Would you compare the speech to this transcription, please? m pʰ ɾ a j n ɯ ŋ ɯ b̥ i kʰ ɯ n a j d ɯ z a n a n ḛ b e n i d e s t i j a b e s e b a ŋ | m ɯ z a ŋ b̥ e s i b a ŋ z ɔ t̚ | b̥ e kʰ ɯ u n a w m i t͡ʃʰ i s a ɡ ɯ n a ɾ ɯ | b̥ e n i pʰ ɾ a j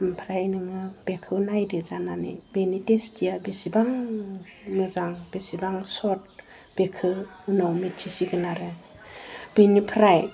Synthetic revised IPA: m pʰ ɾ a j n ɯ ŋ ɯ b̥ e kʰ ɯ n a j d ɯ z a n a n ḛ b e n i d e s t i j a b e s i b a ŋ | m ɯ z a ŋ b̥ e s i b a ŋ s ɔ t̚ | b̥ e kʰ ɯ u n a w m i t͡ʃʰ i s i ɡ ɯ n a ɾ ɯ | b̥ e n i pʰ ɾ a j

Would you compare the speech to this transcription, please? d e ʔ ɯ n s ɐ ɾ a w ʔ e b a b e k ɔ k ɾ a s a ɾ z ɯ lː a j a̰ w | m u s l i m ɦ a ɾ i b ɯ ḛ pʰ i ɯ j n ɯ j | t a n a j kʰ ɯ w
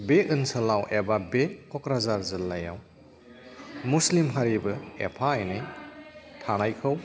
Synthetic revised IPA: b e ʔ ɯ n s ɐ l a w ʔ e b a b e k ɔ k ɾ a z a ɾ z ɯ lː a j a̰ w | m u s l i m ɦ a ɾ i b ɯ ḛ pʰ a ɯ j n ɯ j | tʰ a n a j kʰ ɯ w

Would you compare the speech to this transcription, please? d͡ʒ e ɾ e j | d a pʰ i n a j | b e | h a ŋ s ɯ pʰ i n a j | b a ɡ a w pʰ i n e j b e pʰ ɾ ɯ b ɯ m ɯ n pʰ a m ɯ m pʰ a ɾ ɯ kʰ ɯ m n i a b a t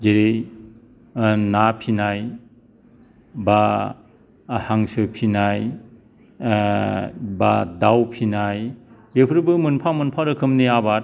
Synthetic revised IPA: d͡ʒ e ɾ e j | n a pʰ i n a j | b a | h a ŋ s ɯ pʰ i n a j | b a d a w pʰ i n a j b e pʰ ɾ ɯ b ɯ m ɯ n pʰ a m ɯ n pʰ a ɾ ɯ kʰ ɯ m n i a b a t

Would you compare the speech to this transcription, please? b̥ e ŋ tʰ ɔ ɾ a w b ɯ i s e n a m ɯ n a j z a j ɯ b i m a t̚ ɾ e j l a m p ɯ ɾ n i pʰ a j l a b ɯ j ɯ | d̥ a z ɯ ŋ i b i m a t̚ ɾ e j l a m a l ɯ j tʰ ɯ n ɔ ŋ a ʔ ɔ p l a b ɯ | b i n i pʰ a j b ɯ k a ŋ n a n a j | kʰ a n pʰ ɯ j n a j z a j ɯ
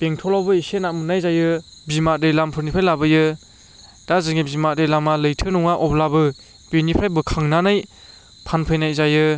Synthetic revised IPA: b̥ e ŋ tʰ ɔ l a w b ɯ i s e n a m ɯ n a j z a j ɯ b i m a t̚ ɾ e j l a m pʰ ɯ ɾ n i pʰ a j l a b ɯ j ɯ | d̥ a z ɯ ŋ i b i m a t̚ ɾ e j l a m a l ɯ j tʰ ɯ n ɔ ŋ a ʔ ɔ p l a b ɯ | b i n i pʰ a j b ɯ kʰ a ŋ n a n a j | pʰ a n pʰ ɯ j n a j z a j ɯ

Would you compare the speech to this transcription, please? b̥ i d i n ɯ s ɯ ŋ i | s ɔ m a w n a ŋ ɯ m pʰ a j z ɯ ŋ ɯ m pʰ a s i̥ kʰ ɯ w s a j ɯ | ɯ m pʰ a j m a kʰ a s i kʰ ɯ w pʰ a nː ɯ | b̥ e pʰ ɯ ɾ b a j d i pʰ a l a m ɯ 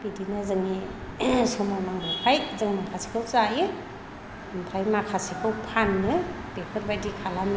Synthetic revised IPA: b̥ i d i n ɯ z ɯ ŋ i | s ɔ m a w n a ŋ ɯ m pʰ a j z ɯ ŋ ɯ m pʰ a s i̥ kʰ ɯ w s a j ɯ | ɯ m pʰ a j m a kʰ a s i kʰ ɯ w pʰ a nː ɯ | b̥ e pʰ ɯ ɾ b a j d i kʰ a l a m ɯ

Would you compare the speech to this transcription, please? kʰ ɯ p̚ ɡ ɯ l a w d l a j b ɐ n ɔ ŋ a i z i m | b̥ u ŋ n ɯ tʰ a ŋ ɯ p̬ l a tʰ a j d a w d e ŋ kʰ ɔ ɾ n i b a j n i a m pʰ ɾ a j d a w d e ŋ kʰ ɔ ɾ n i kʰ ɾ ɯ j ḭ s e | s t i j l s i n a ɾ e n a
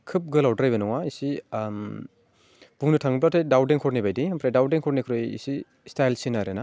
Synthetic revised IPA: kʰ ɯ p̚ ɡ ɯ l a w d ɾ a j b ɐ n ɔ ŋ a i s i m | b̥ u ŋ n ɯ tʰ a ŋ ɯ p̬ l a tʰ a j d a w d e ŋ kʰ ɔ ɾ n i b a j d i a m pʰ ɾ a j d a w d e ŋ kʰ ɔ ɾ n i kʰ ɾ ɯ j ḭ s i | s t a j l s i n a ɾ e n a

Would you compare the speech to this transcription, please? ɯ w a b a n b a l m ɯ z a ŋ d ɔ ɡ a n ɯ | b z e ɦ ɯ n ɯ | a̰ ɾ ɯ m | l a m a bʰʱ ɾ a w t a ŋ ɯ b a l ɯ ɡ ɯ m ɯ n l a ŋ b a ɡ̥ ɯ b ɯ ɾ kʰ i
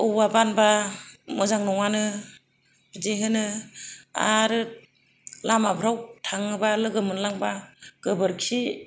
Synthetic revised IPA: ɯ w a b a n b a m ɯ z a ŋ n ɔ ŋ a n ɯ | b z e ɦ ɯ n ɯ | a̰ ɾ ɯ | l a m a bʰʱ ɾ a w tʰ a ŋ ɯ b a l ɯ ɡ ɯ m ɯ n l a ŋ b a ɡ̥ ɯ b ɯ ɾ kʰ i

